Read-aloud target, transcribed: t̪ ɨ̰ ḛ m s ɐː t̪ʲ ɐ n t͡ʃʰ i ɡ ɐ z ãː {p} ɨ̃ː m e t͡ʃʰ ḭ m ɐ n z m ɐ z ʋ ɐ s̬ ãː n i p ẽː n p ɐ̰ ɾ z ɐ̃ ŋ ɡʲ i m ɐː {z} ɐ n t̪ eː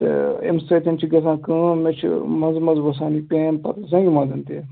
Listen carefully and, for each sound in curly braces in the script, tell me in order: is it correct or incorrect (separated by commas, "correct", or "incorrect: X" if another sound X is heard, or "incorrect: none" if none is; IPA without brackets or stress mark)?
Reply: incorrect: k, correct